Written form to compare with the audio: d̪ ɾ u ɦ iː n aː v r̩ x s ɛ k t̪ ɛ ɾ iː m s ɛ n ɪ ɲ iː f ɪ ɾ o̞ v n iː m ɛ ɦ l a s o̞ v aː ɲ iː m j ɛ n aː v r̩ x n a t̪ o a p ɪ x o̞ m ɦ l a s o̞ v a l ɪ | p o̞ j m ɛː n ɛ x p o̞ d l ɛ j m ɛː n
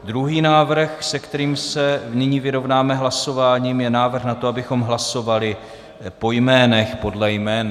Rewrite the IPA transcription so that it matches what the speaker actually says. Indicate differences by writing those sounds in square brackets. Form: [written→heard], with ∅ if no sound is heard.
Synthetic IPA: d̪ ɾ u ɦ iː n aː v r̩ x s ɛ k t̪ ɛ ɾ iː m s ɛ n ɪ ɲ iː [f→v] ɪ ɾ o̞ v n [iː→aː] m ɛ ɦ l a s o̞ v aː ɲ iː m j ɛ n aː v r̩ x n a t̪ o a [p→b] ɪ x o̞ m ɦ l a s o̞ v a l ɪ | p o̞ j m ɛː n ɛ x p o̞ d l ɛ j m ɛː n